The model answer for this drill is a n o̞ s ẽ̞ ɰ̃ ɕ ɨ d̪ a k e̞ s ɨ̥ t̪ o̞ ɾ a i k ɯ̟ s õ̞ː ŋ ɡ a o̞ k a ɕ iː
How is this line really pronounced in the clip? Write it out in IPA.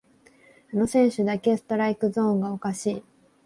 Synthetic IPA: a n o̞ s ẽ̞ ɰ̃ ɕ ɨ d̪ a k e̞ s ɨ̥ t̪ o̞ ɾ a i k ɯ̟ z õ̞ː ŋ ɡ a o̞ k a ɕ iː

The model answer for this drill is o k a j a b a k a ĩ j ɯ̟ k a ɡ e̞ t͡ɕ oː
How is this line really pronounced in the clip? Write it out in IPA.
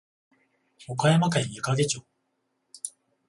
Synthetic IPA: o k a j a m a k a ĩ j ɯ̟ k a ɡ e̞ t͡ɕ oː

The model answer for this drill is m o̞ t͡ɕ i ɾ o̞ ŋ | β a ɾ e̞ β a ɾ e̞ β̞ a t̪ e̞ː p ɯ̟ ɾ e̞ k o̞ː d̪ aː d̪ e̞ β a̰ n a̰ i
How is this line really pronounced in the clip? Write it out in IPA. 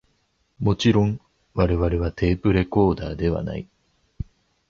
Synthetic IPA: m o̞ t͡ɕ i ɾ õ̞ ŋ | β a ɾ e̞ β a ɾ e̞ β̞ a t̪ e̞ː p ɯ̟ ɾ e̞ k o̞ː d̪ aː d̪ e̞ β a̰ n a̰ i

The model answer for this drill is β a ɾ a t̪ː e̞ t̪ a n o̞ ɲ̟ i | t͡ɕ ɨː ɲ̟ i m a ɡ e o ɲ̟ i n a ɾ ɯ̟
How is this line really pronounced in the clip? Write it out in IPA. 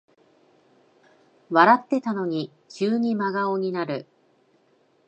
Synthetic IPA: β a ɾ a t̪ː e̞ t̪ a n o̞ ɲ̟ i | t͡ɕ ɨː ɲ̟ i m a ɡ a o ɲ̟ i n a ɾ ɯ̟

